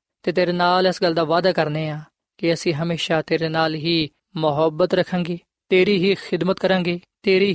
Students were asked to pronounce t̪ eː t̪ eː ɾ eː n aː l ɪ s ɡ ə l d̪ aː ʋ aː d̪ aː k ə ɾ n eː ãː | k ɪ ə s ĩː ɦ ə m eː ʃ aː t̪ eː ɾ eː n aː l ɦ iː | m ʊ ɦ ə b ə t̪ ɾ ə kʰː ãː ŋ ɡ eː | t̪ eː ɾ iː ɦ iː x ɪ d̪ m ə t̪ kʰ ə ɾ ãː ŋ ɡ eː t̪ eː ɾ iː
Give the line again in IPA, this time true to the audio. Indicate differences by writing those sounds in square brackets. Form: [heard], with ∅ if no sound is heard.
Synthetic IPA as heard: t̪ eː t̪ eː ɾ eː n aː l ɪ s ɡ ə l d̪ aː ʋ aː d̪ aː k ə ɾ n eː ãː | k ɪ ə s ĩː ɦ ə m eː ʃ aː t̪ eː ɾ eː n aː l ɦ iː | m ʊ ɦ ə b ə t̪ ɾ ə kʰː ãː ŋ ɡ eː | t̪ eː ɾ iː ɦ iː x ɪ d̪ m ə t̪ [k] ə ɾ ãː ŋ ɡ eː t̪ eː ɾ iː